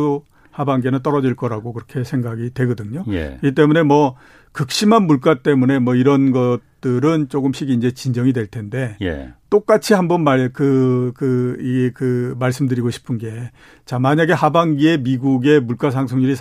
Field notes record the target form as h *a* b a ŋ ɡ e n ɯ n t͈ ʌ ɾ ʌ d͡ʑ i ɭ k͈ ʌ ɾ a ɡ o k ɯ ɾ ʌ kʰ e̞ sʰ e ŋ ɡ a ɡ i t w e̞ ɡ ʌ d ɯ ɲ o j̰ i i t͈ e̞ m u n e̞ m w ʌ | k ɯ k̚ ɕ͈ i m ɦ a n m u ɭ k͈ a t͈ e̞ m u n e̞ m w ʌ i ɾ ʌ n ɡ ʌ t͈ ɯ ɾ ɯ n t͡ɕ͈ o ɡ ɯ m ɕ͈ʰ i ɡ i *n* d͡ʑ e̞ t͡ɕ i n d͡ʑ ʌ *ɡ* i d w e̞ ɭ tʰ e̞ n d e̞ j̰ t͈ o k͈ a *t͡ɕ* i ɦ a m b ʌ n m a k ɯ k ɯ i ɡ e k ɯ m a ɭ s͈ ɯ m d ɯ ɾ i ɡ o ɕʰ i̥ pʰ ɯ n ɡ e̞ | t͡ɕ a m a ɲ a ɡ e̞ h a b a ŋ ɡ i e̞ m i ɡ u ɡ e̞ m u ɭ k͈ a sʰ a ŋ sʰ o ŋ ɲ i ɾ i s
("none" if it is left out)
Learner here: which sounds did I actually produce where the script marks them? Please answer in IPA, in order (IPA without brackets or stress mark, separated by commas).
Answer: a, n, ŋ, t͡ɕʰ